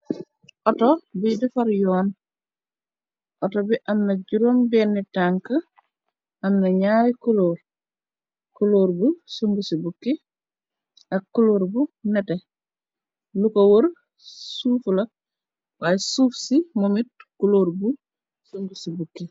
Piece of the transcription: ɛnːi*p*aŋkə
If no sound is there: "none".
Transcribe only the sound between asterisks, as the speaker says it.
t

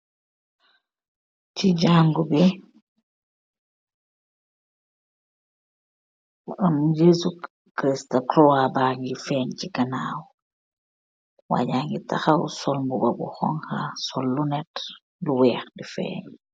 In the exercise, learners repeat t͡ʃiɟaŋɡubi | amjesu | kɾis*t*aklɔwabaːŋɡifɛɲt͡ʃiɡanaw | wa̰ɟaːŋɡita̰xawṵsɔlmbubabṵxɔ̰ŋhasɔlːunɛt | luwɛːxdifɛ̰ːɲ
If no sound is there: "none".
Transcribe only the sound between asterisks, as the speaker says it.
t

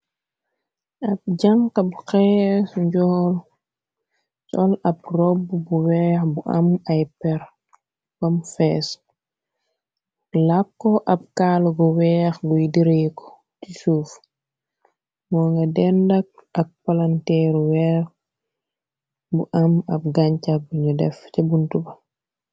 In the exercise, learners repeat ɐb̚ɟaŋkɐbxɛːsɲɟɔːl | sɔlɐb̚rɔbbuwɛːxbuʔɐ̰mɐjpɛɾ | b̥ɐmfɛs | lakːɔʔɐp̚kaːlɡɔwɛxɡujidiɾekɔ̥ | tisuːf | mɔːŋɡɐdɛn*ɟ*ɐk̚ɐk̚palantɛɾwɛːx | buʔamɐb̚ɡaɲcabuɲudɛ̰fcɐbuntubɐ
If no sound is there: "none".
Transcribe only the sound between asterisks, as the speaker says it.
d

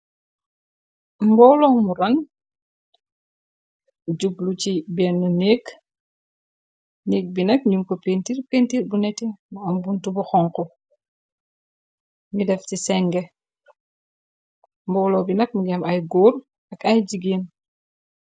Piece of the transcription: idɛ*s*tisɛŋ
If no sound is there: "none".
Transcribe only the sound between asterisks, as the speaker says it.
f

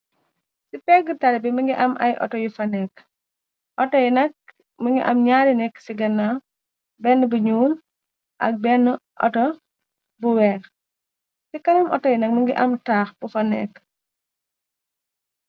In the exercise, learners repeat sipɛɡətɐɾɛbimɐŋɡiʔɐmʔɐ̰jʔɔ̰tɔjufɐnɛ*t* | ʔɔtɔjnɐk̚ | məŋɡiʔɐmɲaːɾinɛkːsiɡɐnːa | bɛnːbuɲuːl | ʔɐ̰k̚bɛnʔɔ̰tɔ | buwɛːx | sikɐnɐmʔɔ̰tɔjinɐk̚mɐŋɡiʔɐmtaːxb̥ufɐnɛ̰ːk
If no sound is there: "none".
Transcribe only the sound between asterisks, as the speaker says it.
k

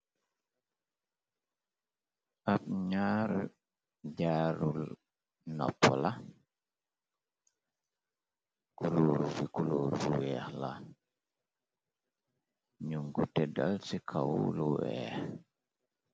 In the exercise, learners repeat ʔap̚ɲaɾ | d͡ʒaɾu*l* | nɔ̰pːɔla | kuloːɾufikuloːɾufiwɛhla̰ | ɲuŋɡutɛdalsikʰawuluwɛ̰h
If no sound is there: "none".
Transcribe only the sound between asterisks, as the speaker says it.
l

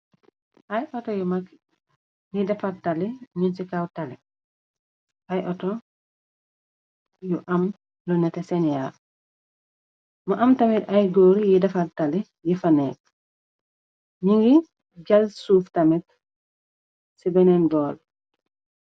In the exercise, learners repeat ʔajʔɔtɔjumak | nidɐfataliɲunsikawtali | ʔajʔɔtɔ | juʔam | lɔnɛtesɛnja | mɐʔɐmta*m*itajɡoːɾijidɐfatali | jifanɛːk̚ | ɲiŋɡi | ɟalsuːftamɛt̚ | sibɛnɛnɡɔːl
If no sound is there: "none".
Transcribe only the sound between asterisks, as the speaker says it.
m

